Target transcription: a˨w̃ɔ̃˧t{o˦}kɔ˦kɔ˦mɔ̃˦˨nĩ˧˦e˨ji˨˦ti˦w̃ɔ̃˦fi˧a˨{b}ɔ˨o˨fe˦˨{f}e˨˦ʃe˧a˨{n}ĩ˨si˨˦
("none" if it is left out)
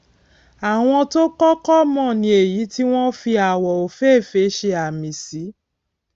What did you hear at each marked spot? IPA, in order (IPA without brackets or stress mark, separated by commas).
o˦, w, f, m